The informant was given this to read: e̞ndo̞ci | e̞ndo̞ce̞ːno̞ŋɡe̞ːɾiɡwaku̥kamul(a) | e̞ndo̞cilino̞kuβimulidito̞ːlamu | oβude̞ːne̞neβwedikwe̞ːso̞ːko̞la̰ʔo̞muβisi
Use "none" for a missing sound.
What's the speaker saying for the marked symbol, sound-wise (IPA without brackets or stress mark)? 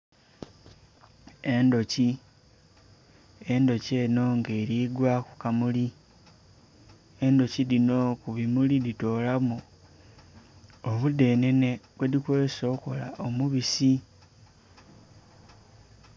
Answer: i